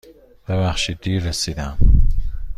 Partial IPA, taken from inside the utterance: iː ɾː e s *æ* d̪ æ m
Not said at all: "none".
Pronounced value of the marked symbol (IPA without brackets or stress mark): i